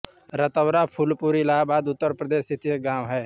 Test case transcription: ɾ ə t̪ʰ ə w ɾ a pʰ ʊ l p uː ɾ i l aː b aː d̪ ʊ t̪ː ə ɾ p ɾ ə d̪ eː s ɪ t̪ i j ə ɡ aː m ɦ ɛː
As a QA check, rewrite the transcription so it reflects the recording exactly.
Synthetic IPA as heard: ɾ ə t̪ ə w ɾ a pʰ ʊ l p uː ɾ i l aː b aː d̪ ʊ t̪ː ə ɾ p ɾ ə d̪ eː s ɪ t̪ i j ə ɡ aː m ɦ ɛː